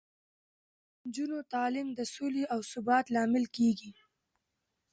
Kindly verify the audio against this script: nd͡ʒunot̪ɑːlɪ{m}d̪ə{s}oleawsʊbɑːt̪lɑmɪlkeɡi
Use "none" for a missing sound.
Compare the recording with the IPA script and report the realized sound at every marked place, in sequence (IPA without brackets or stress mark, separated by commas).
m, s